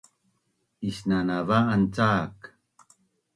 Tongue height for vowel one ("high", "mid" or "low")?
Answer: high